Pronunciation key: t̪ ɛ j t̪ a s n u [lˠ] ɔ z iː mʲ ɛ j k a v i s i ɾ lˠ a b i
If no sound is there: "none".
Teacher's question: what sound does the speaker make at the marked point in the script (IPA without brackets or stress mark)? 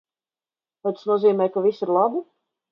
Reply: none